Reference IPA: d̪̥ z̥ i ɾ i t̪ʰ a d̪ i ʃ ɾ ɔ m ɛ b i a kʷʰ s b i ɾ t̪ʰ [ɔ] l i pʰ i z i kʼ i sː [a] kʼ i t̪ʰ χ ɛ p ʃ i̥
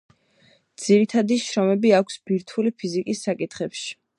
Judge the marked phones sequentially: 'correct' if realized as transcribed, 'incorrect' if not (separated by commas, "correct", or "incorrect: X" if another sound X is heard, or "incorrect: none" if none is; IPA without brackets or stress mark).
incorrect: u, correct